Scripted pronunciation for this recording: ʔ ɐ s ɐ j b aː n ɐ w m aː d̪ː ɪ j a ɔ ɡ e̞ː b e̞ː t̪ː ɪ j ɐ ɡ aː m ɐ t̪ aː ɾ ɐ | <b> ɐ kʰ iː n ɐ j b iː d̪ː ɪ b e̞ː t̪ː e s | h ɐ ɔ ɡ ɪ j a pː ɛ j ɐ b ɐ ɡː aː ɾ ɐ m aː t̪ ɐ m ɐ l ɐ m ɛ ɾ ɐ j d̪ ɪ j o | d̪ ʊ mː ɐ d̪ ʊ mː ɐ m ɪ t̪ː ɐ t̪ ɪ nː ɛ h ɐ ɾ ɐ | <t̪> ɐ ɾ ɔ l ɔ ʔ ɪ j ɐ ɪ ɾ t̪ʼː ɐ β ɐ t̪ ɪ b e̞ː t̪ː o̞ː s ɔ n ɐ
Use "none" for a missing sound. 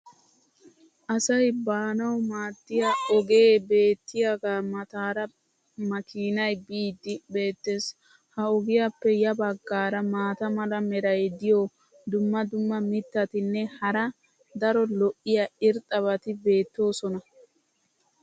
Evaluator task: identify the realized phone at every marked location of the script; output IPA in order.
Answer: m, d̪

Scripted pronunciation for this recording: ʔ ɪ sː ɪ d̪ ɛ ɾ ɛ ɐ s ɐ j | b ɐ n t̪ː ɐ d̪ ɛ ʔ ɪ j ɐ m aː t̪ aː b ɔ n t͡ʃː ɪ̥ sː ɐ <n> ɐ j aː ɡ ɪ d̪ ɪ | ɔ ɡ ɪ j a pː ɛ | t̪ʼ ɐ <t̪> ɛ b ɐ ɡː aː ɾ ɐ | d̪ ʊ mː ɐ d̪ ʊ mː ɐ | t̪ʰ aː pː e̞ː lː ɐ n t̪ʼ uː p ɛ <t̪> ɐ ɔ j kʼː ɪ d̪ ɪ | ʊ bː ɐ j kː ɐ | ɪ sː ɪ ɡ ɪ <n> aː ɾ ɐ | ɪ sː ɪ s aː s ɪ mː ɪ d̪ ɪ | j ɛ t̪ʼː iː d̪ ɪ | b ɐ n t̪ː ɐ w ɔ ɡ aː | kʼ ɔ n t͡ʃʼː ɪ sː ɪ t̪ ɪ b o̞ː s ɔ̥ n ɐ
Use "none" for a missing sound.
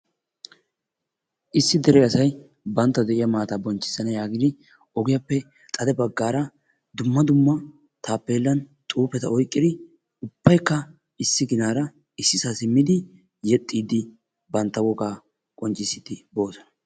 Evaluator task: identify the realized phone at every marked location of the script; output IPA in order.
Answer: n, d̪, t̪, n

